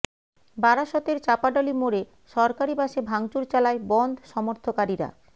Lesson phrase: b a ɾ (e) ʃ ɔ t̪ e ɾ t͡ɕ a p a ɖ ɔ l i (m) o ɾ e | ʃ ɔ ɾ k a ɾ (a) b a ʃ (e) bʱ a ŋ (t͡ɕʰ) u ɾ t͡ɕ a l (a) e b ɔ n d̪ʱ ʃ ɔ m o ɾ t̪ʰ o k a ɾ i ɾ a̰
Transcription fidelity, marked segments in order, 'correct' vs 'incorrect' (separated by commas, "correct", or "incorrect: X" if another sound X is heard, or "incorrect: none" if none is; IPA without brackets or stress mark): incorrect: a, correct, incorrect: i, correct, incorrect: t͡ɕ, correct